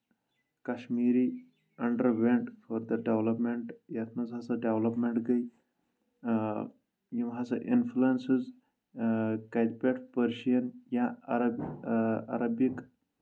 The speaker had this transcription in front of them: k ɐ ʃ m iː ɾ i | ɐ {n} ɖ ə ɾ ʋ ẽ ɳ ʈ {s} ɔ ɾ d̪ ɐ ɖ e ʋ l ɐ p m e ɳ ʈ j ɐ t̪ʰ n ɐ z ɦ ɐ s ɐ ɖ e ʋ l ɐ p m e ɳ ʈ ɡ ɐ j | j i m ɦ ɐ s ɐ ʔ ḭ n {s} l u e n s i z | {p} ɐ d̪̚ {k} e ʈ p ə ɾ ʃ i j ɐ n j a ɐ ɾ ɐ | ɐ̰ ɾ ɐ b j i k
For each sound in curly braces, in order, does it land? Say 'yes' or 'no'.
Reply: no, no, no, no, no

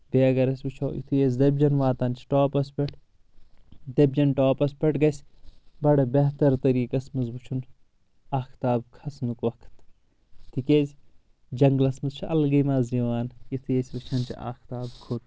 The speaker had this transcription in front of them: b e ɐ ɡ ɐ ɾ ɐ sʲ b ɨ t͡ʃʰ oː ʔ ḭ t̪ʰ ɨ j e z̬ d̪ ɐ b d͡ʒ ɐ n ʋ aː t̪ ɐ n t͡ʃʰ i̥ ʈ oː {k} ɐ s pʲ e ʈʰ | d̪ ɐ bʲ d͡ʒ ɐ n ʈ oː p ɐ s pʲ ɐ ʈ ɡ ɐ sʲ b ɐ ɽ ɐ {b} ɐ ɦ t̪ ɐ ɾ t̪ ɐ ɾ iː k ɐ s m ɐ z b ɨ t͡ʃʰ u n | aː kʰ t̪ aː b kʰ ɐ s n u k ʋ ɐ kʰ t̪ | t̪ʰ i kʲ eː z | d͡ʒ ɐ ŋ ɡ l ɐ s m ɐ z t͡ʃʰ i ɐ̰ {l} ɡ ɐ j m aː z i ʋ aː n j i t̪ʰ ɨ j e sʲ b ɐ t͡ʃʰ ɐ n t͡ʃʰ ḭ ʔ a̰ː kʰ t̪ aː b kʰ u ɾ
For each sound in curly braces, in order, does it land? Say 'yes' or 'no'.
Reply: no, yes, yes

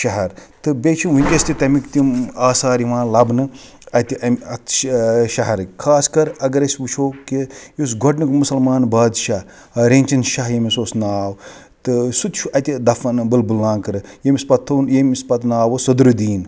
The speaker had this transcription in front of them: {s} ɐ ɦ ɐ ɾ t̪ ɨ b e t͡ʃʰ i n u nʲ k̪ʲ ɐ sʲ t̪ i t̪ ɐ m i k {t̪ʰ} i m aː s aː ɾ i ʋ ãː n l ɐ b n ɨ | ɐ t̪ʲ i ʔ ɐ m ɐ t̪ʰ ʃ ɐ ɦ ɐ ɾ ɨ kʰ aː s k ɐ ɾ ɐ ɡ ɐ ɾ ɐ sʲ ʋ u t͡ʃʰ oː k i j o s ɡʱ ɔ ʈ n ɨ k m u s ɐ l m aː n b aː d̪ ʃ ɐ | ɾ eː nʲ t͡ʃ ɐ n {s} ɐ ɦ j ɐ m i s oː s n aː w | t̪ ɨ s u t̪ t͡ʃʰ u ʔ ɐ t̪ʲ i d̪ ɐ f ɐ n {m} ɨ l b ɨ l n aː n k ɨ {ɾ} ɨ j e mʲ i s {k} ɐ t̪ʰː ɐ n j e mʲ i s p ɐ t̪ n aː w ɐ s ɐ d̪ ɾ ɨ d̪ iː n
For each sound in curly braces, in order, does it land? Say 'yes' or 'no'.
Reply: no, no, no, no, yes, no

